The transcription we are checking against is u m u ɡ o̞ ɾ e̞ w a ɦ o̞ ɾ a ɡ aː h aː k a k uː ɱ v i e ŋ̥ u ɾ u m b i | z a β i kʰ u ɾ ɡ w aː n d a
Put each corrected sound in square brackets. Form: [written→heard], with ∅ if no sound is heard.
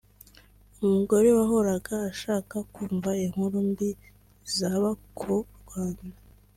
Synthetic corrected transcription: u m u ɡ o̞ ɾ e̞ w a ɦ o̞ ɾ a ɡ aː [h→ʃ] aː k a k uː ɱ v [i→a] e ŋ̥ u ɾ u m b i | z a β [i→a] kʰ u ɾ ɡ w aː n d a